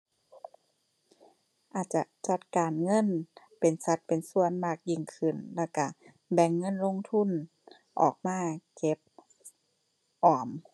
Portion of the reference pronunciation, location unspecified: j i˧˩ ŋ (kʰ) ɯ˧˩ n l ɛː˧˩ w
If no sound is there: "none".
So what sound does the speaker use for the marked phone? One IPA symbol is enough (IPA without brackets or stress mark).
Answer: kʰ